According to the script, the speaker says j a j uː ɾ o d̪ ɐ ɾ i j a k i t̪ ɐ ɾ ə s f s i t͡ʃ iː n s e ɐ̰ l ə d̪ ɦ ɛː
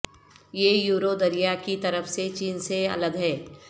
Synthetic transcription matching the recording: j e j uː ɾ o d̪ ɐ ɾ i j a k i t̪ ɐ ɾ ə f s e t͡ʃ iː n s e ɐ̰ l ə d̪ ɦ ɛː